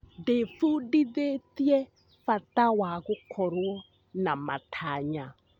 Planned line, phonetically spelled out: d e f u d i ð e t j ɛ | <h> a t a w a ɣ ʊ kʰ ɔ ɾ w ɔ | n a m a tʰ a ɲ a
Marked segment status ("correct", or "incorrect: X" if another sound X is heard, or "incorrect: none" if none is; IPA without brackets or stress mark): incorrect: f